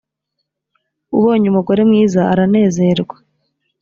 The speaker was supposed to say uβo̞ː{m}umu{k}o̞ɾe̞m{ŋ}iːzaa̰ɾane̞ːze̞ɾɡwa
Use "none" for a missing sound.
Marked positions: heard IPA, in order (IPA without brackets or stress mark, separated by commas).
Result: ɲ, ɡ, ŋ